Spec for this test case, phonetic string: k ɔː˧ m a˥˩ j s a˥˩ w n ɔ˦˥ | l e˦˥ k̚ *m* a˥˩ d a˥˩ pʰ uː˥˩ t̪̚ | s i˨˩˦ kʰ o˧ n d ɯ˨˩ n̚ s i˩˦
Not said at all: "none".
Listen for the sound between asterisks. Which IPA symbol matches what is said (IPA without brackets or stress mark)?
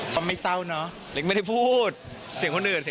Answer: m